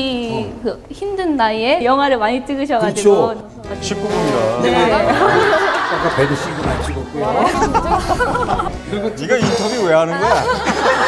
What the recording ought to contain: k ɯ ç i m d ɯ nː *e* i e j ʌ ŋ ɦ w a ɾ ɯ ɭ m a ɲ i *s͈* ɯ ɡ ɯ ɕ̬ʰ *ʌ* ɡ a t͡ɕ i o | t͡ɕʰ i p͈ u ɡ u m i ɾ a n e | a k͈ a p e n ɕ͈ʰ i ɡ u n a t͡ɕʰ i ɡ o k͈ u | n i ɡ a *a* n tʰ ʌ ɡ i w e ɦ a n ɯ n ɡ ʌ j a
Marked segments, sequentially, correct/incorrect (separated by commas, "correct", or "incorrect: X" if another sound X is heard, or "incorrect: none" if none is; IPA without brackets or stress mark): incorrect: a, incorrect: t͈, correct, incorrect: i